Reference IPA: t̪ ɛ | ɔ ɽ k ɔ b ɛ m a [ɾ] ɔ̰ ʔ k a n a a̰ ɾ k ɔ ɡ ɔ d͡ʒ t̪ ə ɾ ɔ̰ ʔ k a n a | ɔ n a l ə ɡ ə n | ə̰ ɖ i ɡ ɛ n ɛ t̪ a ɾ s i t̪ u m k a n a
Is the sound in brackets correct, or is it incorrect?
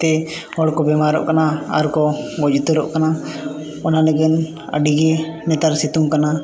correct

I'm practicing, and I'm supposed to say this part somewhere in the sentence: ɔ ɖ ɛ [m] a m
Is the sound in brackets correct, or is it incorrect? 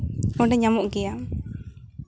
incorrect: ɲ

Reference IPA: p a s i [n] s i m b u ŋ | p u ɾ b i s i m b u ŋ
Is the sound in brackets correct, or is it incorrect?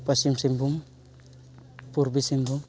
incorrect: m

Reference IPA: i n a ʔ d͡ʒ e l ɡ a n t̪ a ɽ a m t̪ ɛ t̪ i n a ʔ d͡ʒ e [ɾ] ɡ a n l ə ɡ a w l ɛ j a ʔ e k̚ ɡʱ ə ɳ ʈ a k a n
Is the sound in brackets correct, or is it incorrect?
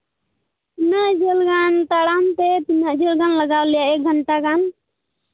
incorrect: l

